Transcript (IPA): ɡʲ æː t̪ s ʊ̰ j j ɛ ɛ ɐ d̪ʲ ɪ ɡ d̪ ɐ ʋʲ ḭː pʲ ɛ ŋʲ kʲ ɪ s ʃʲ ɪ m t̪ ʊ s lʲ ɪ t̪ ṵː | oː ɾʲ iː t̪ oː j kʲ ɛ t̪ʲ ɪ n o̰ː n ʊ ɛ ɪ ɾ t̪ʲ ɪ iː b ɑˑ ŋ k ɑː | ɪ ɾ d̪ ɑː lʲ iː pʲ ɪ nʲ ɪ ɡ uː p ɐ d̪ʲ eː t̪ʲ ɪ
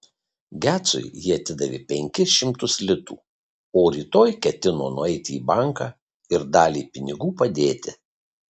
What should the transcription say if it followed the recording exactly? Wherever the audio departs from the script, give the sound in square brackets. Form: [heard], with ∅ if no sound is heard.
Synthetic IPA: ɡʲ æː t̪ s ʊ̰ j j [i] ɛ ɐ [t̪ʲ] ɪ [∅] d̪ ɐ ʋʲ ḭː pʲ ɛ ŋʲ kʲ ɪ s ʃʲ ɪ m t̪ ʊ s lʲ ɪ t̪ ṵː | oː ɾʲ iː t̪ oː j kʲ ɛ t̪ʲ ɪ n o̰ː n ʊ ɛ ɪ [∅] t̪ʲ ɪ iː b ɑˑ ŋ k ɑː | ɪ ɾ d̪ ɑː lʲ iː pʲ ɪ nʲ ɪ ɡ uː p ɐ d̪ʲ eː t̪ʲ ɪ